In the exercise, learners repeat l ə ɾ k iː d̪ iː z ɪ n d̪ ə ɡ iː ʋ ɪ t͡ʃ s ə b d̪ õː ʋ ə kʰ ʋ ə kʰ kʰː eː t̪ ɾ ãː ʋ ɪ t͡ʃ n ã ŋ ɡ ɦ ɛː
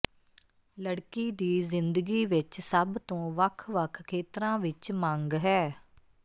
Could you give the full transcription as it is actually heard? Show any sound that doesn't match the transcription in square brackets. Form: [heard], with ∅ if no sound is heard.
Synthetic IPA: l ə [ɽ] k iː d̪ iː z ɪ n d̪ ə ɡ iː ʋ ɪ t͡ʃ s ə b [t̪] õː ʋ ə kʰ ʋ ə kʰ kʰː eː t̪ ɾ ãː ʋ ɪ t͡ʃ [m] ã ŋ ɡ ɦ ɛː